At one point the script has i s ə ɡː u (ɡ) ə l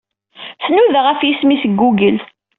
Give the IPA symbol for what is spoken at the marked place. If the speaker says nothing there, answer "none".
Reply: ɡ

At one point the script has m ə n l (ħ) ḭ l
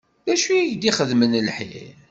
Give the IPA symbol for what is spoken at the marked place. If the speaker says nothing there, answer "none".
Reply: ħ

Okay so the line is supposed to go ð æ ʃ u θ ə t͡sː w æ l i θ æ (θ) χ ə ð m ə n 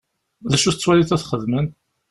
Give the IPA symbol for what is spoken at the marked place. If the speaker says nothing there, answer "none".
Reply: θ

